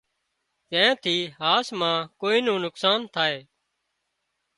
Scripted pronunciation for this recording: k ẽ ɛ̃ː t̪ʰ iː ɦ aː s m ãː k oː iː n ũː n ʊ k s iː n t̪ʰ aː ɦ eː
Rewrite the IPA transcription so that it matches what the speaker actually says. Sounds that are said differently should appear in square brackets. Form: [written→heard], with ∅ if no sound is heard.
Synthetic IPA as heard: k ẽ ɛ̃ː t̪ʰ iː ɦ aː s m ãː k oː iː n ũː n ʊ k s [iː→aː] n t̪ʰ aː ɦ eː